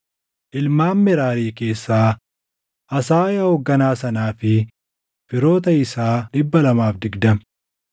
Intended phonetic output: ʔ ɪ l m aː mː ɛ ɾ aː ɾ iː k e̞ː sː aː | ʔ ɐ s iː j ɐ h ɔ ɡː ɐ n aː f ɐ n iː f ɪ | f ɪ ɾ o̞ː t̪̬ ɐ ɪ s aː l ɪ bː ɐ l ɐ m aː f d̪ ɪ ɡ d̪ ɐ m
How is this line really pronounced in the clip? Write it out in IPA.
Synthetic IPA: ʔ ɪ l m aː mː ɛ ɾ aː ɾ iː k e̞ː sː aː | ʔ ɐ s aː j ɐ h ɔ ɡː ɐ n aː s ɐ n aː f ɪ | f ɪ ɾ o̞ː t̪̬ ɐ ɪ s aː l ɪ bː ɐ l ɐ m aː f d̪ ɪ ɡ d̪ ɐ m